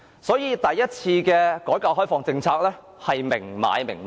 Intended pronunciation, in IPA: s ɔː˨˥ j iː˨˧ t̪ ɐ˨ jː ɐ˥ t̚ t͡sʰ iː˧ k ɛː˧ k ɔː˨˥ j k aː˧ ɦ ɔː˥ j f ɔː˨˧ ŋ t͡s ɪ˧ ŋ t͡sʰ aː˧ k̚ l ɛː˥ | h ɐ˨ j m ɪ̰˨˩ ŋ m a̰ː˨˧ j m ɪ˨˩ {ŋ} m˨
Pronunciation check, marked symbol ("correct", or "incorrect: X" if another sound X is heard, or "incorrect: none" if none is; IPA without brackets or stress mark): correct